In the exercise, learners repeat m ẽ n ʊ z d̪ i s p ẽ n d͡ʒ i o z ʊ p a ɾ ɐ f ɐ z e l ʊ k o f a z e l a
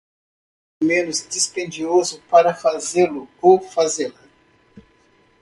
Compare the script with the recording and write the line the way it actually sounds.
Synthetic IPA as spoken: m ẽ n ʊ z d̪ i s p ẽ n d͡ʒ i o z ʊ p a ɾ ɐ f a z e l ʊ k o f a z e l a

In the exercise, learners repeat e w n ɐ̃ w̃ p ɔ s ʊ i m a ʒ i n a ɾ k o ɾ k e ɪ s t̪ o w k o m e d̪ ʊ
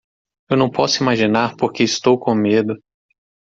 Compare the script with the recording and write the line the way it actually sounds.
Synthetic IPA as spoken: e w n ɐ̃ w̃ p ɔ s ʊ i m a ʒ i n a ɾ p o ɾ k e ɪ s t̪ o w k õ m e d̪ ʊ

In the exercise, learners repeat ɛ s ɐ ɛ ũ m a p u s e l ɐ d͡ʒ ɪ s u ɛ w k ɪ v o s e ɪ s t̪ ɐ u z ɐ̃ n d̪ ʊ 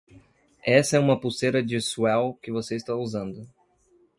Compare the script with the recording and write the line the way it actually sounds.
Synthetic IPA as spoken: ɛ s ɐ ɛ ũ m ɐ p u s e ɾ ɐ d͡ʒ ɪ s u ɛ w k ɪ v o s e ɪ s t̪ a u z ɐ̃ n d̪ ʊ

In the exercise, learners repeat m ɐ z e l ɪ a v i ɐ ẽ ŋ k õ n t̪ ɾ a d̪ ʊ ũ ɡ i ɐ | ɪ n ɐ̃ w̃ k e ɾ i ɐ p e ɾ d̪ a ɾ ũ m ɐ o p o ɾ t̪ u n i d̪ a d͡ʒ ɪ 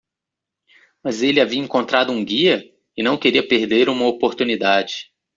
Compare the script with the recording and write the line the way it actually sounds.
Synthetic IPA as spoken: m ɐ z e l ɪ a v i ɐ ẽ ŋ k õ n t̪ ɾ a d̪ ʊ ũ ɡ i ɐ | ɪ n ɐ̃ w̃ k e ɾ i ɐ p e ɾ d̪ e ɾ ũ m ɐ o p o ɾ t̪ u n i d̪ a d͡ʒ ɪ

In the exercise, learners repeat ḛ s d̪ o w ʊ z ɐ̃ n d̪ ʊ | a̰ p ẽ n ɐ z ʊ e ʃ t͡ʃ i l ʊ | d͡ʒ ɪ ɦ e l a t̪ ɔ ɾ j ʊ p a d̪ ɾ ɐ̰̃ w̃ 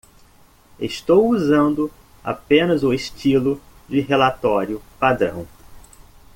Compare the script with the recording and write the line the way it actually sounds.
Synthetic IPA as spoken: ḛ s t̪ o w u z ɐ̃ n d̪ ʊ | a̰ p ẽ n ɐ z ʊ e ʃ t͡ʃ i l ʊ | d͡ʒ ɪ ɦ e l a t̪ ɔ ɾ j ʊ p a d̪ ɾ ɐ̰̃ w̃

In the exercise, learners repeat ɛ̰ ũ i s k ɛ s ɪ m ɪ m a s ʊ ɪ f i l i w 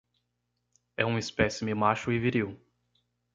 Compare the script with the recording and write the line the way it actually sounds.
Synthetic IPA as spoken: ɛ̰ ũ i s p ɛ s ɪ m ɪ m a ʃ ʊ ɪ v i ɾ i w

